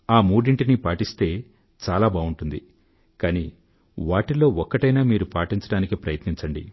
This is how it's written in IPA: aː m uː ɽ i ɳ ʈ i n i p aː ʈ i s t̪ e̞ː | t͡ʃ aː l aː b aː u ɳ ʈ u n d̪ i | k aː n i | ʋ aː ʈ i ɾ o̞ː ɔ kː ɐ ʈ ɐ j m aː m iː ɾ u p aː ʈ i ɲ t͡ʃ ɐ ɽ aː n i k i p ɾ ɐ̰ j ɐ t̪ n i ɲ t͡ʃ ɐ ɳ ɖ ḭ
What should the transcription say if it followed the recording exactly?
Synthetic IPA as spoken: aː m uː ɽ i ɳ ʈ i n i p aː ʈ i s t̪ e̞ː | t͡ʃ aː l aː b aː u ɳ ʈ u n d̪ i | k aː n i | ʋ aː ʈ i l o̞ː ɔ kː ɐ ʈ ɐ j n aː m iː ɾ u p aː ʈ i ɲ t͡ʃ ɐ ɽ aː n i k i p ɾ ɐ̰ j ɐ t̪ n i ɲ t͡ʃ ɐ ɳ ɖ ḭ